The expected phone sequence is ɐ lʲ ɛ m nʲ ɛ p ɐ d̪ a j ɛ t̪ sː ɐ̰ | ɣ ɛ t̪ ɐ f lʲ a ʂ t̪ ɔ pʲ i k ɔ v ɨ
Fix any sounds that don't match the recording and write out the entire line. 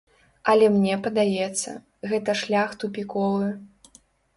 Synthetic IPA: ɐ lʲ ɛ m nʲ ɛ p ɐ d̪ a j ɛ t̪ sː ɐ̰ | ɣ ɛ t̪ ɐ ʂ lʲ a x t̪ u pʲ i k ɔ v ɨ